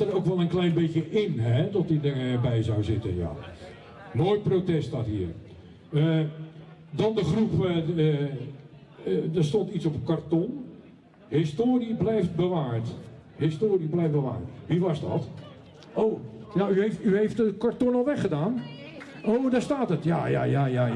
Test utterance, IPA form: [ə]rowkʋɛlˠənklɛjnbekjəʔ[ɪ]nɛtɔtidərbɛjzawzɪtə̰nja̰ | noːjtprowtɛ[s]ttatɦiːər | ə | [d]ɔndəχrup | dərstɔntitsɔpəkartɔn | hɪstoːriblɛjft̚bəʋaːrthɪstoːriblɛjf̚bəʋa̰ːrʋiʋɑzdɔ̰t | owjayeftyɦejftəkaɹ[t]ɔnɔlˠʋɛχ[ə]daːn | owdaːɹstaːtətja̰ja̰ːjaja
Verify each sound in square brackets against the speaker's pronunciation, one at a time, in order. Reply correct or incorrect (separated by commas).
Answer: correct, correct, correct, correct, correct, correct